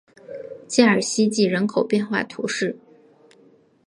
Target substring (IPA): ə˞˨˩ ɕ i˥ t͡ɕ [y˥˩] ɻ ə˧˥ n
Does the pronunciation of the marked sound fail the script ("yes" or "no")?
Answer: yes